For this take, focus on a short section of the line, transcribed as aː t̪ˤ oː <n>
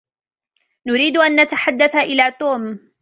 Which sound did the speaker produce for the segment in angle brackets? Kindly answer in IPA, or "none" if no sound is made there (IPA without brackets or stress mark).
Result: m